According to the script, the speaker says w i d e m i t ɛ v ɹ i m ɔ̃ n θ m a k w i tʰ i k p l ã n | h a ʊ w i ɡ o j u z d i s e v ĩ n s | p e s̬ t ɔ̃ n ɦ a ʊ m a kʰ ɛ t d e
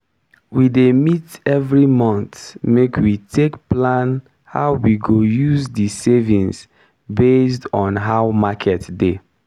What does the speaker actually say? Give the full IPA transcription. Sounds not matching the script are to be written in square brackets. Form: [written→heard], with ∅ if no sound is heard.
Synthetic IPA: w i d e m i t ɛ v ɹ i m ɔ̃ n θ m [a→e] k w i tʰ [i→e] k p l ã n | h a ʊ w i ɡ o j u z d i s e v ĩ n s | [p→b] e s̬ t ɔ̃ n ɦ a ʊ m a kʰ ɛ t d e

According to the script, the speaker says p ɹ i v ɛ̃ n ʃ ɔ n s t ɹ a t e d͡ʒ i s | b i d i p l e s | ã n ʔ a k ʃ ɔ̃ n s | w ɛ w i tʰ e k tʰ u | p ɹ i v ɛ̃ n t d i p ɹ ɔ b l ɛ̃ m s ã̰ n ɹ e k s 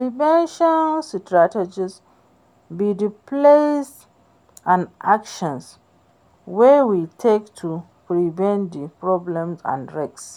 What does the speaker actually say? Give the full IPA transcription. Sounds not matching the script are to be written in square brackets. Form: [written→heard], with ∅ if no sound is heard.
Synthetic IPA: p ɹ i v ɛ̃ n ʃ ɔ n s t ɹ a t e d͡ʒ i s | b i d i p l e s | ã n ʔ a k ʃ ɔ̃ n s | w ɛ w i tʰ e k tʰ u | p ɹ i v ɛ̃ n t d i p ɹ ɔ b l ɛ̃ m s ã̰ n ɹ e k s

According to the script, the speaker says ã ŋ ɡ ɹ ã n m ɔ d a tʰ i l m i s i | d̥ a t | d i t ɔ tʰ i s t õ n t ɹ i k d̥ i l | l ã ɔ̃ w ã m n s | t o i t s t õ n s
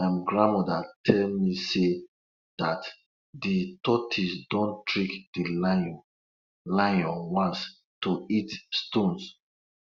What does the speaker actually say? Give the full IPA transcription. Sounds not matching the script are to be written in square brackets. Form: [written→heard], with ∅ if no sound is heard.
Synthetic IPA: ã [ŋ→m] ɡ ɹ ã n m ɔ d a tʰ [i→ɛ] l m i s [i→e] | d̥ a t | d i t ɔ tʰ i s [t→d] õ n t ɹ i k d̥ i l | l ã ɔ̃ w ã [m→∅] n s | t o i t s t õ n s

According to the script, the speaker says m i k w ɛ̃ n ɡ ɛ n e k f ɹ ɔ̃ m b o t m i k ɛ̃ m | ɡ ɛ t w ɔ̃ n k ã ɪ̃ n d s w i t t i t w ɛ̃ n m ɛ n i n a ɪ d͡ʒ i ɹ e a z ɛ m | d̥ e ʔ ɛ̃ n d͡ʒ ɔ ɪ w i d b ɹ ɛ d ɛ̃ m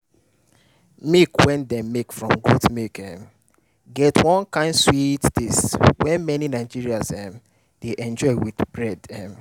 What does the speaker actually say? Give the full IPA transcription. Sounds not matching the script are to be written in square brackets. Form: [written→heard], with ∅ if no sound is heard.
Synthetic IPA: m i k w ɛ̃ n [ɡ→d] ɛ [n→m] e k f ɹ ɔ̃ m [b→ɡ] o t m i k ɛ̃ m | ɡ ɛ t w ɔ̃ n k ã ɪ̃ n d s w i t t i [t→s] w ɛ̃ n m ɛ n i n a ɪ d͡ʒ i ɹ [e→i] a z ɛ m | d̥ e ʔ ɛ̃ n d͡ʒ ɔ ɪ w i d b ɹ ɛ d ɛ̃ m

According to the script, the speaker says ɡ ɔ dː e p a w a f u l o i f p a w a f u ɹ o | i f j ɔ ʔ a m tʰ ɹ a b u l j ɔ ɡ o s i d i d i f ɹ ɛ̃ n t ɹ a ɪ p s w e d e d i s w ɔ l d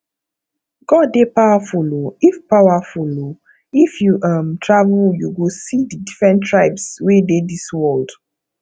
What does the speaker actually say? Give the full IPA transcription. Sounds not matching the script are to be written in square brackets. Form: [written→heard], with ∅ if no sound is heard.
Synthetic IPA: ɡ ɔ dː e p a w a f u l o i f p a w a f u [ɹ→l] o | i f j [ɔ→u] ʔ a m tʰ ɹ a [b→v] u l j [ɔ→u] ɡ o s i d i d i f ɹ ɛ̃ n t ɹ a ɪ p s w e d e d i s w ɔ l d

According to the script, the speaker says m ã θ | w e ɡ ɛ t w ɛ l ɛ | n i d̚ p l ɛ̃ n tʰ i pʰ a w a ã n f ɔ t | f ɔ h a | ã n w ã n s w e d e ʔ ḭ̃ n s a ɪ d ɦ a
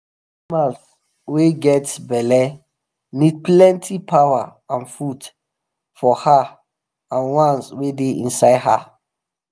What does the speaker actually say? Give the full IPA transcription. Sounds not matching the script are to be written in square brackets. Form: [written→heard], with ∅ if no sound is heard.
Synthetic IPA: m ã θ | w e ɡ ɛ t [w→b] ɛ l ɛ | n i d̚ p l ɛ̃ n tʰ i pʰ a w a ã n f [ɔ→u] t | f ɔ h a | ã n w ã n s w e d e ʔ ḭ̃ n s a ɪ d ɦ a

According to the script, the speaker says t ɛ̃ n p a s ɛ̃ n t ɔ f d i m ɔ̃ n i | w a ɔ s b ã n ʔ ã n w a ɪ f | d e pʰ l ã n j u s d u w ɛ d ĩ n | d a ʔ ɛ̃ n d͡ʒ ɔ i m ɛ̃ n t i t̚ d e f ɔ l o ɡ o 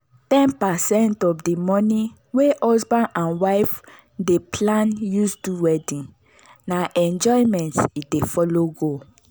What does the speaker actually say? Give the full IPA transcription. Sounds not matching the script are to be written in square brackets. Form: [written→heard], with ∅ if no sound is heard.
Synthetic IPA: t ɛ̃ n p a s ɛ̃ n t ɔ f d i m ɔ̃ n i | w [a→e] ɔ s b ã n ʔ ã n w a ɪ f | d e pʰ l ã n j u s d u w ɛ d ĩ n | [d→n] a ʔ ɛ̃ n d͡ʒ ɔ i m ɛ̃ n t i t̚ d e f ɔ l o ɡ o

